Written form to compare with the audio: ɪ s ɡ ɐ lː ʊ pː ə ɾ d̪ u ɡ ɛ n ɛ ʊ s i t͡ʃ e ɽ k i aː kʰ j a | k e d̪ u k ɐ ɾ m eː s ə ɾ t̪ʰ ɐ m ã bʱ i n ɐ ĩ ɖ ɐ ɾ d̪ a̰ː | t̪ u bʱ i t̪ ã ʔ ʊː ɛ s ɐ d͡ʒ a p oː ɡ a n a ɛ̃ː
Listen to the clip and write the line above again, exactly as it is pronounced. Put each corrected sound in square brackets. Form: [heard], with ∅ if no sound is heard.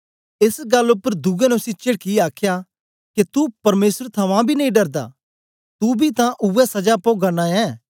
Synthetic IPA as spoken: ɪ s ɡ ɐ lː ʊ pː ə ɾ d̪ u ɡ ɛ n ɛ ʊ s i t͡ʃ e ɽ k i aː kʰ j a | k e [t̪] u [p] ɐ ɾ m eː s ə ɾ t̪ʰ ɐ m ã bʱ i n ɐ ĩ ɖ ɐ ɾ d̪ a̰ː | t̪ u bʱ i t̪ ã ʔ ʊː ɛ s ɐ d͡ʒ a p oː ɡ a n a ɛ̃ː